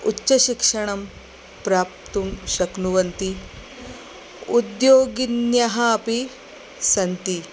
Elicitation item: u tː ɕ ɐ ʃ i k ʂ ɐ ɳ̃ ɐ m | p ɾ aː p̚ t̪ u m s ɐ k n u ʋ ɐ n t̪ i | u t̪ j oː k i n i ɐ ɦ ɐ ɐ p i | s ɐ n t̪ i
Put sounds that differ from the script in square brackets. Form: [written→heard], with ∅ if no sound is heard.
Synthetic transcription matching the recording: u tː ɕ ɐ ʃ i k ʂ ɐ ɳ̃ ɐ m | p ɾ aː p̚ t̪ u m [s→ʃ] ɐ k n u ʋ ɐ n t̪ i | u [t̪→d̪] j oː [k→ɡ] i n [i→j] ɐ ɦ ɐ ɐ p i | s ɐ n t̪ i